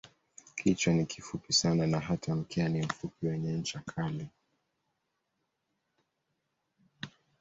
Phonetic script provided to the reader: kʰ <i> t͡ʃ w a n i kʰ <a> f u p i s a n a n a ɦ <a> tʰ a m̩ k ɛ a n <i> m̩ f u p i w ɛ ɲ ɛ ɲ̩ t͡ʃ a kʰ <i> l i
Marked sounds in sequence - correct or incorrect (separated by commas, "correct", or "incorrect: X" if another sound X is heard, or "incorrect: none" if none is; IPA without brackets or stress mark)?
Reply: correct, incorrect: i, correct, correct, incorrect: a